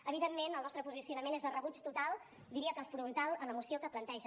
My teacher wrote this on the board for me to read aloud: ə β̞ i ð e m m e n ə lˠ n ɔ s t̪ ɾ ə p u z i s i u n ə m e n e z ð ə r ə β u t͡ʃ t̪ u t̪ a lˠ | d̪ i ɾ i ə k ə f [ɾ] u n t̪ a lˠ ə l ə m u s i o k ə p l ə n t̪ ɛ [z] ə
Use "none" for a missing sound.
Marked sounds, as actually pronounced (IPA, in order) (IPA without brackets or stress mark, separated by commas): ɾ, ʒ